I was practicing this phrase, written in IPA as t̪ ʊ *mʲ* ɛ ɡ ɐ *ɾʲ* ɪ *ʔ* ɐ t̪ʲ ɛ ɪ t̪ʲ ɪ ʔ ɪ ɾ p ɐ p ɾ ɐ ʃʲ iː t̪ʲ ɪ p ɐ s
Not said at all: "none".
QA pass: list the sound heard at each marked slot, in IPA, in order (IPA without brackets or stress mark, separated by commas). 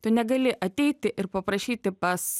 nʲ, lʲ, ʔ